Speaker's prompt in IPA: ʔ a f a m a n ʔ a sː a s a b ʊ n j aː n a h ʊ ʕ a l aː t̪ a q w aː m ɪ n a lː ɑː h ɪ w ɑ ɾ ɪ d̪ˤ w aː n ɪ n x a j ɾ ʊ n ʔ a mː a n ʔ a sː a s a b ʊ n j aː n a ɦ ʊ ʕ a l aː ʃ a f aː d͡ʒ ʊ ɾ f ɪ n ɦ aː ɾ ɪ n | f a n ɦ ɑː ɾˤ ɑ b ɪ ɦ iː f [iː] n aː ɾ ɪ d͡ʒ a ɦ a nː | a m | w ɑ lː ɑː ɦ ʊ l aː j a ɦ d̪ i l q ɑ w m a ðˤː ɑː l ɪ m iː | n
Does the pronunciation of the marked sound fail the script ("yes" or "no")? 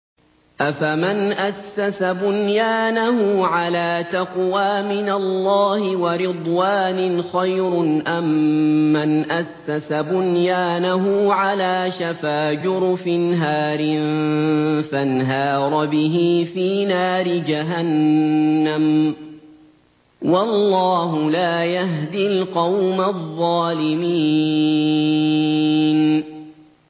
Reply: no